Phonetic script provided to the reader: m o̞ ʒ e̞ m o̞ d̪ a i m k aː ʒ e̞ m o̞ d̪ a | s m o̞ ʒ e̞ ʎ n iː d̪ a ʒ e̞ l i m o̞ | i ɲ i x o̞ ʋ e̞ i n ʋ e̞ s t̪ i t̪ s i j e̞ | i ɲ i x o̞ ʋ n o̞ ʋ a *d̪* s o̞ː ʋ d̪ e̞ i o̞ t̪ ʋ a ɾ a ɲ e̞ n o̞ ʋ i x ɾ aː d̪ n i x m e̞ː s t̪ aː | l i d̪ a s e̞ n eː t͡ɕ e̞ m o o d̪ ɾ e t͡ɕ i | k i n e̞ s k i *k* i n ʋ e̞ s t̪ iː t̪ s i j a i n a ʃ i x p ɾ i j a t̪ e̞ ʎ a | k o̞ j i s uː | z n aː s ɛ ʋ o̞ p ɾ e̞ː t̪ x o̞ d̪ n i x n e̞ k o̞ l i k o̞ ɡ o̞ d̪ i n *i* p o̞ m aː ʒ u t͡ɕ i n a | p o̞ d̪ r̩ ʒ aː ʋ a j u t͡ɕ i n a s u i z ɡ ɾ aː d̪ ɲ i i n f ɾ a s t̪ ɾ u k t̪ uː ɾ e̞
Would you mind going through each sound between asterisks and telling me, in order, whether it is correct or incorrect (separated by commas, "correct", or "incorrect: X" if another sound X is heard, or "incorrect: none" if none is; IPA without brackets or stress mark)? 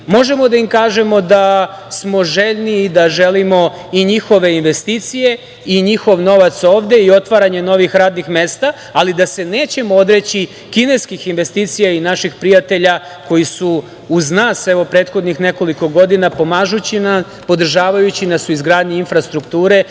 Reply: incorrect: t̪, incorrect: x, incorrect: a